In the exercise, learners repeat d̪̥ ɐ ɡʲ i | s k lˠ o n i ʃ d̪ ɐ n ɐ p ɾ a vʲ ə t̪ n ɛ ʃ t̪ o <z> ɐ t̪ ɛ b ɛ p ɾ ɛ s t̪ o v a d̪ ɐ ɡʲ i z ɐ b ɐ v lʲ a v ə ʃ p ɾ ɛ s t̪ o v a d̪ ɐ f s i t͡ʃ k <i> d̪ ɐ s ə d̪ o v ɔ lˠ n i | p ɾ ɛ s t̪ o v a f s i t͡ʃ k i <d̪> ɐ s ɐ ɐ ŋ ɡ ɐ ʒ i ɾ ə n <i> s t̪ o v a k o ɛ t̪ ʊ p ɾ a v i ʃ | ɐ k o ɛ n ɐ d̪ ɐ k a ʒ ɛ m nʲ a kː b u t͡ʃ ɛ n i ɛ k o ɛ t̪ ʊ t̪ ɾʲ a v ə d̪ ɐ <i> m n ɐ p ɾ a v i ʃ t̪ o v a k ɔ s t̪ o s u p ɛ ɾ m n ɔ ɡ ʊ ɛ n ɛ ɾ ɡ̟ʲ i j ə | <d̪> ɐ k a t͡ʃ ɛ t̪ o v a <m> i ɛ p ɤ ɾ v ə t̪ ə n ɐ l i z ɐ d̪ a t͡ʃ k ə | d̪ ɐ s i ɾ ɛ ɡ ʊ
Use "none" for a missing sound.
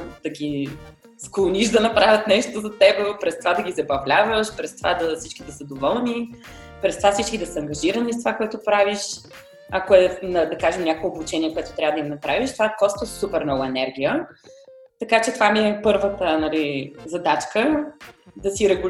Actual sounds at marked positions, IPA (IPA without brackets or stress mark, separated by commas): z, i, d̪, i, i, t̪, m